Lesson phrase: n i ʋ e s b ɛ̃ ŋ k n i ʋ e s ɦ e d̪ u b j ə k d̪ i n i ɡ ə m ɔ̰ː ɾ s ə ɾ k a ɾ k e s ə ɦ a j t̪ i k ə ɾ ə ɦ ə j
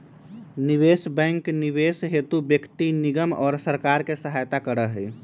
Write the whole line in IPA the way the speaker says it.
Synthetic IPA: n i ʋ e s b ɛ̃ ŋ k n i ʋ e s ɦ e t̪ u b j ə k t̪ i n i ɡ ə m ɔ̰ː ɾ s ə ɾ k a ɾ k e s ə ɦ a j t̪ a k ə ɾ ə ɦ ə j